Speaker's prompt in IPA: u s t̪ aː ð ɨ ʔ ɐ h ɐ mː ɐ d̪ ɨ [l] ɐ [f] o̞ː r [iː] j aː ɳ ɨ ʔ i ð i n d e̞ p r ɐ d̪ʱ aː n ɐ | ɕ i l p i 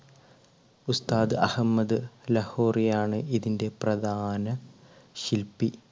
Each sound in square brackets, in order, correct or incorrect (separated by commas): correct, incorrect, incorrect